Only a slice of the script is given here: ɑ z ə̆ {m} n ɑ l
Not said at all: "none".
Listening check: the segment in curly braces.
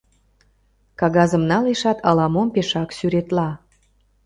m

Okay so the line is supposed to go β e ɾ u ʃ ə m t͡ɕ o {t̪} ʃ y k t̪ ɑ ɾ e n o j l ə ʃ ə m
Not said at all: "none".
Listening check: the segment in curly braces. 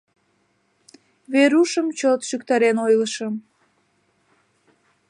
t̪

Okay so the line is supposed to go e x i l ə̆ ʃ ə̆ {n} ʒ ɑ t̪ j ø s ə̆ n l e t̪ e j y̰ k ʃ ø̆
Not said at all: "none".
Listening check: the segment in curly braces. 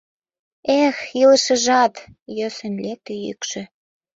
none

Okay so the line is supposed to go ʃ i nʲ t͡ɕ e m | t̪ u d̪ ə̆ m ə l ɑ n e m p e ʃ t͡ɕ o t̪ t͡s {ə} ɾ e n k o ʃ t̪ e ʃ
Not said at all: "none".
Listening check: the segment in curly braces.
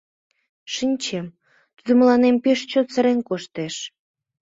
ə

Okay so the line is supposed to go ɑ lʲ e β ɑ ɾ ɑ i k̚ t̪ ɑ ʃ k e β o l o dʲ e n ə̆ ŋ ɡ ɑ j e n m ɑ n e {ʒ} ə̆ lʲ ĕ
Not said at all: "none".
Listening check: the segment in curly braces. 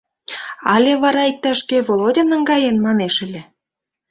ʃ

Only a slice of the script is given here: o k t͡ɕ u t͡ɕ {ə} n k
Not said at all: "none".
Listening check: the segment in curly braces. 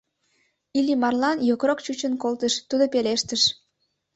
ə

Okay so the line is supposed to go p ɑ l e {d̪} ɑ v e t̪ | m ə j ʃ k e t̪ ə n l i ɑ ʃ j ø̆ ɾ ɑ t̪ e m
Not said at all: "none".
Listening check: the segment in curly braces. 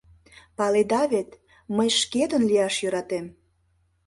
d̪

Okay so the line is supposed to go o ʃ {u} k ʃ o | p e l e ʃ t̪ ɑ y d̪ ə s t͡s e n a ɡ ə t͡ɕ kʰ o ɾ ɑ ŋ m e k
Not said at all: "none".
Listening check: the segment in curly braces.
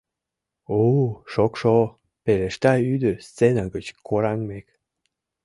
o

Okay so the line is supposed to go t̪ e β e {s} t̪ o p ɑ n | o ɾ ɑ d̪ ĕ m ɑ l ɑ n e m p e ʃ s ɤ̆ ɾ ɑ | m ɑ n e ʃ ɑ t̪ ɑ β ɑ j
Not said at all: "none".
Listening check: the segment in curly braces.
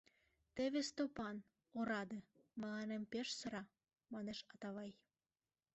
s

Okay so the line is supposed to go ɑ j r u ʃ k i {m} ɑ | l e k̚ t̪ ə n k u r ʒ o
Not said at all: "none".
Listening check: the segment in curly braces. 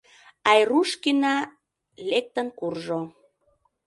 n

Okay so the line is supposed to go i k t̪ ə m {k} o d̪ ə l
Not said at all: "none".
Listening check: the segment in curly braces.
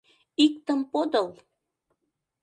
p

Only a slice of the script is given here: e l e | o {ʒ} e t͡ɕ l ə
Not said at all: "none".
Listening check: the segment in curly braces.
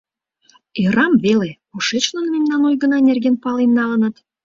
ʃ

